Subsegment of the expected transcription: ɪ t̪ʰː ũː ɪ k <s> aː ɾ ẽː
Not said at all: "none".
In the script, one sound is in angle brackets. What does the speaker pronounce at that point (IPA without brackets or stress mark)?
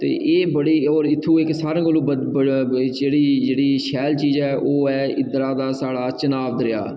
s